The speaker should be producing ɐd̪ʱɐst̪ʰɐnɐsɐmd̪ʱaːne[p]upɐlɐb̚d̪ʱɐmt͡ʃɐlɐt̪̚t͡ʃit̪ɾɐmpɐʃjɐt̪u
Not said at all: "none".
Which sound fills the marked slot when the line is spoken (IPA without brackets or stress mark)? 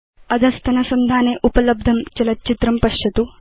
ʔ